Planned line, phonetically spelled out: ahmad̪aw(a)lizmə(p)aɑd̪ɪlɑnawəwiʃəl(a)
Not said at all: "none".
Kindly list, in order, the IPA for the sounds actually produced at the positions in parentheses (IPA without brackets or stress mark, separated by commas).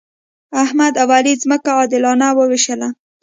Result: a, k, a